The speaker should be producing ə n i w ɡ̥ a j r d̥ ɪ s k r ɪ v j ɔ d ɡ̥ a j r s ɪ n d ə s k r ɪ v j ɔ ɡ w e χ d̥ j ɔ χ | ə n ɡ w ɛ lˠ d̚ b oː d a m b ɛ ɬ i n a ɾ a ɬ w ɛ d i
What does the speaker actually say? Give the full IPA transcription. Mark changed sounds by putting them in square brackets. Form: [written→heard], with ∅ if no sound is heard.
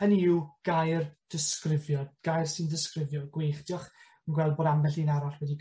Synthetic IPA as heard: ə n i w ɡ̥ a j r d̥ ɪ s k r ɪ v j ɔ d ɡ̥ a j r s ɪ n d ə s k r ɪ v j ɔ ɡ w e χ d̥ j ɔ χ | ə n ɡ w ɛ lˠ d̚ b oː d a m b ɛ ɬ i n a ɾ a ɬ w ɛ d i